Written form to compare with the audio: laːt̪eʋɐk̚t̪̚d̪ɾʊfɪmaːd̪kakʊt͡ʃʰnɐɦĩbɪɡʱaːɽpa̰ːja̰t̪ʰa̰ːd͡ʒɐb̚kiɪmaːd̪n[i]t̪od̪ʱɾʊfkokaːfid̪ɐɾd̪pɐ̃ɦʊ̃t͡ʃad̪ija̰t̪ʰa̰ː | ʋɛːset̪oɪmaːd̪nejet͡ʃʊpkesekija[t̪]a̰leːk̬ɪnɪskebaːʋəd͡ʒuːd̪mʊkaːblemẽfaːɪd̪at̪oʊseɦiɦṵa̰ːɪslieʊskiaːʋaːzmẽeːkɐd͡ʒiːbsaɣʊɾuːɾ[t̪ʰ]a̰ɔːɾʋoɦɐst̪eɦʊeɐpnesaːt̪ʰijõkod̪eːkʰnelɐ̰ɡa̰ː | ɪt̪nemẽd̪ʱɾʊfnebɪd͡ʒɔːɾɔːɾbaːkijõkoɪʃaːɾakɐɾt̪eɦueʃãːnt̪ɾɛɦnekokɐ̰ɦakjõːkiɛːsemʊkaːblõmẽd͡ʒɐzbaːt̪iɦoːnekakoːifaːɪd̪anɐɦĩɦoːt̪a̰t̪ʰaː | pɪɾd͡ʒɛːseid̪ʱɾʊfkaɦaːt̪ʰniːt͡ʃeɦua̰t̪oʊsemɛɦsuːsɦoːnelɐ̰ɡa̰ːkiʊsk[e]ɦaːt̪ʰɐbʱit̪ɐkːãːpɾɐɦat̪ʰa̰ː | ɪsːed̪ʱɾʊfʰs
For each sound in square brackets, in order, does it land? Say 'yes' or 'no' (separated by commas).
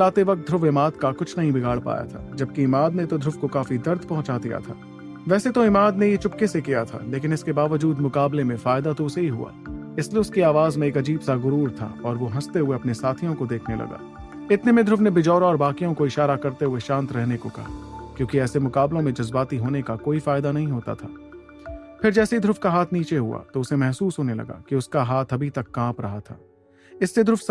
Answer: no, no, yes, no